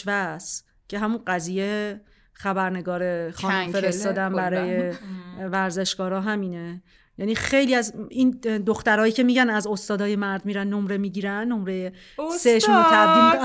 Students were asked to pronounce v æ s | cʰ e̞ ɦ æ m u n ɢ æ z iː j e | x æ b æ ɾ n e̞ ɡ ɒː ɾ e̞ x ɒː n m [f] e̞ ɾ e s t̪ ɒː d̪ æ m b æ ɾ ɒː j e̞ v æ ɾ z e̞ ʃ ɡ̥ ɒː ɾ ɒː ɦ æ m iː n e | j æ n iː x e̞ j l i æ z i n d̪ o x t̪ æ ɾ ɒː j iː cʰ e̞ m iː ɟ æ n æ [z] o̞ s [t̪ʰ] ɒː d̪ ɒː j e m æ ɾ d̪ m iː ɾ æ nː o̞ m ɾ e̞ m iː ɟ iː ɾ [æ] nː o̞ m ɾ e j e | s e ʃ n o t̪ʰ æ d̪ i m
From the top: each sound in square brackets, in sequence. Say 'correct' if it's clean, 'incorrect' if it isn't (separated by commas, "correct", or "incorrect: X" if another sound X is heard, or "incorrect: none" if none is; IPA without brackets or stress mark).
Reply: correct, correct, incorrect: t̪, correct